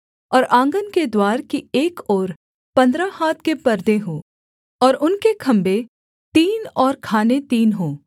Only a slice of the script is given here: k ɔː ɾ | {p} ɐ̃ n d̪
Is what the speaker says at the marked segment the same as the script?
yes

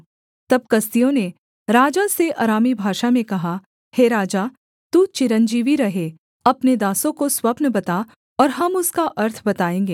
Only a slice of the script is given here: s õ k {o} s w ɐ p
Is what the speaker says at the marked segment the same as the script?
yes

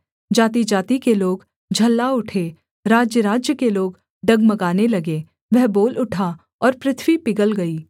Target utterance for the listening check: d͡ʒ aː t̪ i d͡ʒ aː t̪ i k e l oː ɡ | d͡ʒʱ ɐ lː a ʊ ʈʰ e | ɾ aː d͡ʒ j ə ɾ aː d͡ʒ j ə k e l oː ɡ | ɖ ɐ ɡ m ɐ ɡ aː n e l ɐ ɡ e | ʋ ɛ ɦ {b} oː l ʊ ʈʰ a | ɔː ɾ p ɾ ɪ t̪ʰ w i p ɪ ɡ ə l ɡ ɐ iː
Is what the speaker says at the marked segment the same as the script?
yes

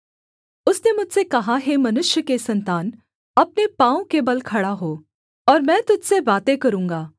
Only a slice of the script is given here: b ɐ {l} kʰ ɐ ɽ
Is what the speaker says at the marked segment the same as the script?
yes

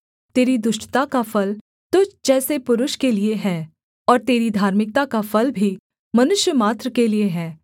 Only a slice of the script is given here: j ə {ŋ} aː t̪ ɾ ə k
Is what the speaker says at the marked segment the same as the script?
no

